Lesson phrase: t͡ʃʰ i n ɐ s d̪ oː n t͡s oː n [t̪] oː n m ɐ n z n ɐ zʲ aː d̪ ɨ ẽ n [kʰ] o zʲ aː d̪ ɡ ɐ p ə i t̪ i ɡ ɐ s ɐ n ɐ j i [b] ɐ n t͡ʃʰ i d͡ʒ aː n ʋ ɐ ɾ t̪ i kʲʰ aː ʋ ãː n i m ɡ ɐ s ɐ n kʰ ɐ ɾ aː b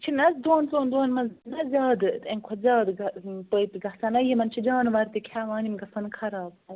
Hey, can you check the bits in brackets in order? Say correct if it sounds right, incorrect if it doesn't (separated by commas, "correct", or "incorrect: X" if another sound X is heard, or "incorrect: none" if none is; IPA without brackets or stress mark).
incorrect: d̪, correct, incorrect: m